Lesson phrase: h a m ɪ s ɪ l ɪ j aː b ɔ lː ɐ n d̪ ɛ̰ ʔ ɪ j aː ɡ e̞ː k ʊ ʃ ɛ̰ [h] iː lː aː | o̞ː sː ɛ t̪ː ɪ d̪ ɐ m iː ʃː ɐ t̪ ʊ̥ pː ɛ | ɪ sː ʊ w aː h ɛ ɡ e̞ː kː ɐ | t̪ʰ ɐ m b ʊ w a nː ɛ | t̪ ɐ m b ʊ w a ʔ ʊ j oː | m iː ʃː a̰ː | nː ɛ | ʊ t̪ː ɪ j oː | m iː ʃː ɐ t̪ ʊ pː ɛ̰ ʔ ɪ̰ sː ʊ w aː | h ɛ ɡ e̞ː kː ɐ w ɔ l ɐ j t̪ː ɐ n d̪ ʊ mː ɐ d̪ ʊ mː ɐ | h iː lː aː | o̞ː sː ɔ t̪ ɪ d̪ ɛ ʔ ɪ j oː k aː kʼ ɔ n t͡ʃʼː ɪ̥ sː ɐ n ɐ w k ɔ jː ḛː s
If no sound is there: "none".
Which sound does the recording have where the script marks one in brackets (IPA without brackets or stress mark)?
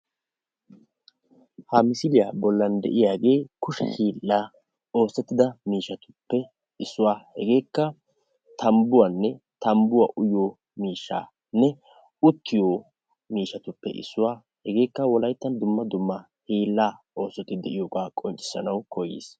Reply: h